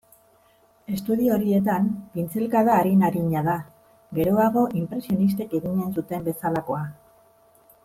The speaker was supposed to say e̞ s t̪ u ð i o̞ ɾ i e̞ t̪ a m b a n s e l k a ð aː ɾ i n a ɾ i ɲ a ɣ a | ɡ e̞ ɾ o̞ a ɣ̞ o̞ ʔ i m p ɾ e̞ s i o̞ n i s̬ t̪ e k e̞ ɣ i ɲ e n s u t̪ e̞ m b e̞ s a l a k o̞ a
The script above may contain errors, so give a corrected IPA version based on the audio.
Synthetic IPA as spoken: e̞ s t̪ u ð i o̞ ɾ i e̞ t̪ a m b i n t͡s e l k a ð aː ɾ i n a ɾ i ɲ a ð a | ɡ e̞ ɾ o̞ a ɣ̞ o̞ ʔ i m p ɾ e̞ s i o̞ n i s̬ t̪ e k e̞ ɣ i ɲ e n s u t̪ e̞ m b e̞ s a l a k o̞ a